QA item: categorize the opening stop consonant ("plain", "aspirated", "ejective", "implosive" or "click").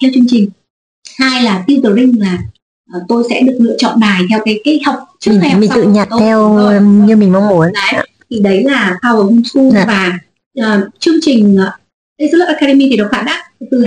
aspirated